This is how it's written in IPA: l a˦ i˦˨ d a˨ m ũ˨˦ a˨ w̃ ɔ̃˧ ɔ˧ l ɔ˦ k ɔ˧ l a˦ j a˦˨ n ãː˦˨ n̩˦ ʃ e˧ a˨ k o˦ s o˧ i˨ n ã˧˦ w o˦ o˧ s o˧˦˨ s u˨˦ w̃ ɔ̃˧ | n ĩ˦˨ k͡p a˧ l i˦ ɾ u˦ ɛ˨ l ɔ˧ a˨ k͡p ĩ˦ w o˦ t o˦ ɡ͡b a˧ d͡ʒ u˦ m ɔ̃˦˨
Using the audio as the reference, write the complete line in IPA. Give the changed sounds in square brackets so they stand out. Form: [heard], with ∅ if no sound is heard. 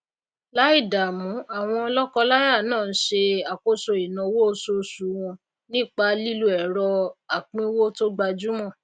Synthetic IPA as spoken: l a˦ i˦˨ d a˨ m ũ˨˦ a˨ w̃ ɔ̃˧ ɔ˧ l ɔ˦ k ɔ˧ l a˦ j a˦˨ n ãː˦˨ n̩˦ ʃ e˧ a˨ k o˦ s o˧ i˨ n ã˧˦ w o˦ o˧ s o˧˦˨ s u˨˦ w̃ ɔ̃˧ | n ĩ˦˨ k͡p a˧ l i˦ [l] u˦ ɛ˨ [ɾ] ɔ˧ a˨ k͡p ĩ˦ w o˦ t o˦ ɡ͡b a˧ d͡ʒ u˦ m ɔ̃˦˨